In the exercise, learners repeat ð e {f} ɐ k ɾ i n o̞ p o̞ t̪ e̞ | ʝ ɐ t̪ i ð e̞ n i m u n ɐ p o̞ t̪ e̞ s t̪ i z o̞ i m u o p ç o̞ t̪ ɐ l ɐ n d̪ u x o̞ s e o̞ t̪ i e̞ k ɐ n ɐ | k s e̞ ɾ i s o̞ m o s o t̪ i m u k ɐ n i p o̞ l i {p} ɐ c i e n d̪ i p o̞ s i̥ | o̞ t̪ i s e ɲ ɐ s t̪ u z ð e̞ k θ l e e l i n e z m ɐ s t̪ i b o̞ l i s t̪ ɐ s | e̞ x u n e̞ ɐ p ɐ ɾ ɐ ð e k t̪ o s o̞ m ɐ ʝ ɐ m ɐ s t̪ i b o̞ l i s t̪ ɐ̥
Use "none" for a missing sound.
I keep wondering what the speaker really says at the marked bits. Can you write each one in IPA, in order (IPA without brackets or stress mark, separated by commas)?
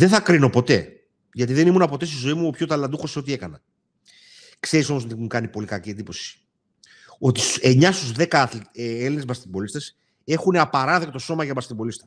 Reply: θ, k